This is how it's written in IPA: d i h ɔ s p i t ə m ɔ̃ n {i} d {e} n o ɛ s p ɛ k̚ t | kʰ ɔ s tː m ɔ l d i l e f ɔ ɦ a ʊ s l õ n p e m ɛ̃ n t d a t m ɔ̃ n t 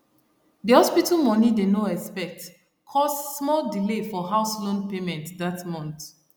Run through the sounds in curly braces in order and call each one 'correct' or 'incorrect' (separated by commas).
correct, correct